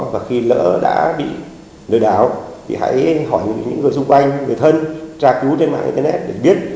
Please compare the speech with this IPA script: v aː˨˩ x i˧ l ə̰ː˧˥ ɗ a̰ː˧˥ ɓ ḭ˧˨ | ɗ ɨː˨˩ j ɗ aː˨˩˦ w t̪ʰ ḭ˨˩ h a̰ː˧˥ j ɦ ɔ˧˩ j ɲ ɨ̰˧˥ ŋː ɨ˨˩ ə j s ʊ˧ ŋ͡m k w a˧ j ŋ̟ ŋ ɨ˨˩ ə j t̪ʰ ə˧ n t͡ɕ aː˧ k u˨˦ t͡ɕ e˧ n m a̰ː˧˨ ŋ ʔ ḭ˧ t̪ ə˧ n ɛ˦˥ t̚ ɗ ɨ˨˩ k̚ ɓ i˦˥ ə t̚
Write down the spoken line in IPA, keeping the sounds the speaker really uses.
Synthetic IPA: v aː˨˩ x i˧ l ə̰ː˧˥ ɗ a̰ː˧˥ ɓ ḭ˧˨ | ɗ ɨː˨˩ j ɗ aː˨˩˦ w t̪ʰ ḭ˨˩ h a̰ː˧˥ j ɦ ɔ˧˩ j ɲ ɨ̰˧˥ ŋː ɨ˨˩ ə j s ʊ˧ ŋ͡m k w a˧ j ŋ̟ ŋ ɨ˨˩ ə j t̪ʰ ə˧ n t͡ɕ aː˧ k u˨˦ t͡ɕ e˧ n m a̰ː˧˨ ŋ ʔ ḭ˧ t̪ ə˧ n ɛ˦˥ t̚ ɗ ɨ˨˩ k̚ ɓ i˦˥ ə t̚

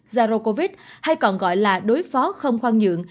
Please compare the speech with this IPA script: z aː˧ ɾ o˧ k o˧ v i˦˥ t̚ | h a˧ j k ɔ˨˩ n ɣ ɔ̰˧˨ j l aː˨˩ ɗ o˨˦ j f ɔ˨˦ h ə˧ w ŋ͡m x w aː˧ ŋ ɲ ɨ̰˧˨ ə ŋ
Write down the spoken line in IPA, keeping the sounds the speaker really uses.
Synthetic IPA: z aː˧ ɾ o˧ k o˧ v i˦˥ t̚ | h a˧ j k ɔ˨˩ n ɣ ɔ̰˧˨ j l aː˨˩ ɗ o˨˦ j f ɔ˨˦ x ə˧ w ŋ͡m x w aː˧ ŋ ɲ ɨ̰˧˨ ə ŋ

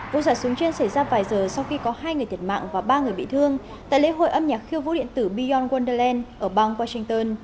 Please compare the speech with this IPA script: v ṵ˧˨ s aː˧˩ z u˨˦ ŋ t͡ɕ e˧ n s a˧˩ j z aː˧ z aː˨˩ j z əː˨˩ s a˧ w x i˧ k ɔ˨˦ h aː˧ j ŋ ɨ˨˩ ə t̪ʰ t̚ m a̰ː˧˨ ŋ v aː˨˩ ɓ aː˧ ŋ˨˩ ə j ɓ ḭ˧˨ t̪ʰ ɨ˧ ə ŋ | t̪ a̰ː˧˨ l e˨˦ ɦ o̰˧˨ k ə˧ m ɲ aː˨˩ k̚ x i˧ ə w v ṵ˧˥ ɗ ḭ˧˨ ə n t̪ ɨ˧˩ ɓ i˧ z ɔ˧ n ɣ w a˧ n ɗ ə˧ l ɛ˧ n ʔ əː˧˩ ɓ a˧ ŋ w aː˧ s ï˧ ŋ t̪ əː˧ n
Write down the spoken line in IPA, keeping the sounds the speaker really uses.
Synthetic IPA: v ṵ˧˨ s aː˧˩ s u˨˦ ŋ t͡ɕ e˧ n s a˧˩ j z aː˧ v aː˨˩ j z əː˨˩ s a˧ w x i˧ k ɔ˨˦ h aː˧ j ŋ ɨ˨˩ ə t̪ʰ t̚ m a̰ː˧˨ ŋ v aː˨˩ ɓ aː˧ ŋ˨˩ ə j ɓ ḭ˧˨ t̪ʰ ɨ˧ ə ŋ | t̪ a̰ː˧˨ l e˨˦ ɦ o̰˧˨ ʔ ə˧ m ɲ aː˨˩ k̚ x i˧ ə w v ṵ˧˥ ɗ ḭ˧˨ ə n t̪ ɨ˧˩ ɓ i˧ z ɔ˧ n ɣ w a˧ n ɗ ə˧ l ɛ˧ n ʔ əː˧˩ ɓ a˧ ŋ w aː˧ s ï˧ ŋ t̪ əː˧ n

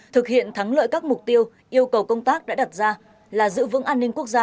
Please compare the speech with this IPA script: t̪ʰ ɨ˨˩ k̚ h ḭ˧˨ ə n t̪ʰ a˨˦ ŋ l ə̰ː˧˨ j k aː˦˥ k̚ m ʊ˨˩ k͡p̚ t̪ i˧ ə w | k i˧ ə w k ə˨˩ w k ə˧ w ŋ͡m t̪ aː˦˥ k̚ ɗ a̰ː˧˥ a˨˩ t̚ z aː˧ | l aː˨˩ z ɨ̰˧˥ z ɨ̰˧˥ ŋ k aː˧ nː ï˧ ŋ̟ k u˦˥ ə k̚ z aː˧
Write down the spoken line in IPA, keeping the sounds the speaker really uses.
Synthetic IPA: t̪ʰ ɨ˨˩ k̚ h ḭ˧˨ ə n t̪ʰ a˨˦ ŋ l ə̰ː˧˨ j k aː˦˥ k̚ m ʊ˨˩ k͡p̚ t̪ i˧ ə w | ʔ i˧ ə w k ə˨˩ w k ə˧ w ŋ͡m t̪ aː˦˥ k̚ ɗ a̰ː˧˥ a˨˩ t̚ z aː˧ | l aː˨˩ z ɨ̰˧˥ v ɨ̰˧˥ ŋ ʔ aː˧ nː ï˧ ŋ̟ k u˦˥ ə k̚ z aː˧

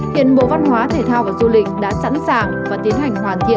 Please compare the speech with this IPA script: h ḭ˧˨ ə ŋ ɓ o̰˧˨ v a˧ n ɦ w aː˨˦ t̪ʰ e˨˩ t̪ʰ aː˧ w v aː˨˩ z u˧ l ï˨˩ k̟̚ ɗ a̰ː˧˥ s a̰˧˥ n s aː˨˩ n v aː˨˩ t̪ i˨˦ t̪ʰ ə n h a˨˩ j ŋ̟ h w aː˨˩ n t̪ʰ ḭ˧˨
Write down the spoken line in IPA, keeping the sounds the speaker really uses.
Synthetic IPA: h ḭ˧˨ ə n ɓ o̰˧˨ v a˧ n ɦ w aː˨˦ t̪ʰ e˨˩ t̪ʰ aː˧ w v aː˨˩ z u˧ l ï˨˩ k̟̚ ɗ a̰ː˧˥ s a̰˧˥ n s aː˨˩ ŋ v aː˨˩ t̪ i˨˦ ə n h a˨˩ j ŋ̟ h w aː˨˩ n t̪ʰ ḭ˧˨

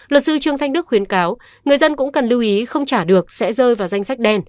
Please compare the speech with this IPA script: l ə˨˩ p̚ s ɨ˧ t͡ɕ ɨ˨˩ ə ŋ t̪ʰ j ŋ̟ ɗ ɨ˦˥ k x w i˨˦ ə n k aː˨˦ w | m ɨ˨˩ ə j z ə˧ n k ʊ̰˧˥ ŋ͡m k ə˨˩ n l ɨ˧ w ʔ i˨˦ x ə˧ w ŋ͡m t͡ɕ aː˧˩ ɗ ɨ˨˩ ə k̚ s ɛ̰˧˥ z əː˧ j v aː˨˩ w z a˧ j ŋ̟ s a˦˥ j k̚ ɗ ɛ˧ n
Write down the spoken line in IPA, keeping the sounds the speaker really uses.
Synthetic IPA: l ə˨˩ t̚ s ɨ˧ t͡ɕ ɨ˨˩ ə ŋ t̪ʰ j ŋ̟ ɗ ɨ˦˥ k x w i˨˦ ə n k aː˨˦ w | ŋ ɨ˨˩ ə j z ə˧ n k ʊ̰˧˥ ŋ͡m k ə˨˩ n l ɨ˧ w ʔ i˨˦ x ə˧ w ŋ͡m t͡ɕ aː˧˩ ɗ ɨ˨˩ ə k̚ s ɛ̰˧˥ z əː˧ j v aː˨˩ w z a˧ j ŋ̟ s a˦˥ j k̚ ɗ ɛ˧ n

